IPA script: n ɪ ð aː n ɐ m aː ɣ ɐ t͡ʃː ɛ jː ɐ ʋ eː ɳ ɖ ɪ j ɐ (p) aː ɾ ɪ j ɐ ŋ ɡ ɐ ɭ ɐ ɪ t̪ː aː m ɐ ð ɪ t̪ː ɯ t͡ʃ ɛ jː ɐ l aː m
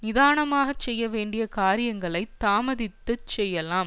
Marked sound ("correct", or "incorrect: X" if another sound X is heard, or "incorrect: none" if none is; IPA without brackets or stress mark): incorrect: k